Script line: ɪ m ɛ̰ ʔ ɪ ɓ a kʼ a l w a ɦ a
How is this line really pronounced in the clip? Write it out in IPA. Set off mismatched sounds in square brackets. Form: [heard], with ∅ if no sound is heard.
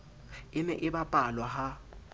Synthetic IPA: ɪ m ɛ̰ ʔ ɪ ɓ a [pʼ] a l w a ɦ a